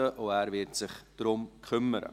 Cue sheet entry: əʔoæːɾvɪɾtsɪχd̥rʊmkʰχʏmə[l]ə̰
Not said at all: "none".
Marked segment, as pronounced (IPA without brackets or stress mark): ɾ